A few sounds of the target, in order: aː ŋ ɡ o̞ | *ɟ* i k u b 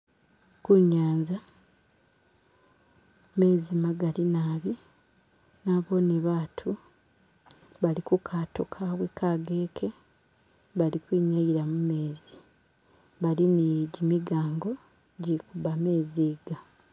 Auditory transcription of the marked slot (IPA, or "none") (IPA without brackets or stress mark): ɟ